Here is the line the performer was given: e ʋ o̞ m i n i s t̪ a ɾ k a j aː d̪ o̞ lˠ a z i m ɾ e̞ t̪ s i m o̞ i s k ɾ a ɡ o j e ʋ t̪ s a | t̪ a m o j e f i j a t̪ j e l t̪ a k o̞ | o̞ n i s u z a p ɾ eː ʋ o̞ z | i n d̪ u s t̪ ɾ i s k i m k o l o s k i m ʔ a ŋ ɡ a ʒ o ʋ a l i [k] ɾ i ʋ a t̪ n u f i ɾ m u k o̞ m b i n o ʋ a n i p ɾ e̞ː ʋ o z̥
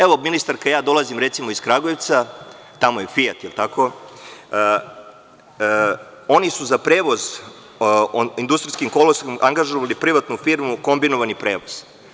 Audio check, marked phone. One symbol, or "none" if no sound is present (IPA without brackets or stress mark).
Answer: p